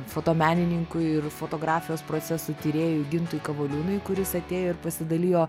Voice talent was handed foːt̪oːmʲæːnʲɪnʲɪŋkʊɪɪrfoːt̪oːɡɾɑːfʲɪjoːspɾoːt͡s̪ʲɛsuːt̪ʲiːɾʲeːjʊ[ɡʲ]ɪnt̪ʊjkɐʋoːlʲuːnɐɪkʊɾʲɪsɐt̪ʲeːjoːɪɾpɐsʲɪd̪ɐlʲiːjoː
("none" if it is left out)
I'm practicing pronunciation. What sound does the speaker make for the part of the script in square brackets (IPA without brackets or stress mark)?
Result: ɡʲ